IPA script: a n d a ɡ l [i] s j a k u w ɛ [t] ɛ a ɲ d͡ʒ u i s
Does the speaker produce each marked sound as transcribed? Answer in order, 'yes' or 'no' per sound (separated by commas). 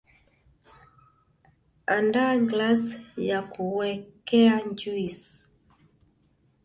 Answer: no, no